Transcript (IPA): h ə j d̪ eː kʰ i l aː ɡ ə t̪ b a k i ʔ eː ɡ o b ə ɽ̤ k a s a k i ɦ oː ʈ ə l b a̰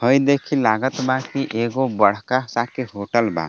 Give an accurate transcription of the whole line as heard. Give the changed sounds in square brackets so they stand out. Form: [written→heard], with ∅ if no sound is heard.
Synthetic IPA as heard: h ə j d̪ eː kʰ i l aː ɡ ə t̪ b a k i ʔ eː ɡ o b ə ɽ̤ k a s a k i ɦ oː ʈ ə l b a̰